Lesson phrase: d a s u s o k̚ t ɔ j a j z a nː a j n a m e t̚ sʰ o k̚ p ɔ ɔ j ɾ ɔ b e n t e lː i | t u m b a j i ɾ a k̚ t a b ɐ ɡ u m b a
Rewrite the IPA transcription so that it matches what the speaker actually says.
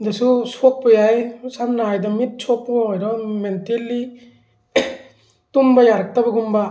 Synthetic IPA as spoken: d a s u s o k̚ p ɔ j a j s a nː a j d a m i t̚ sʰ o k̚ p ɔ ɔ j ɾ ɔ m e n t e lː i | t u m b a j a ɾ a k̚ t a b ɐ ɡ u m b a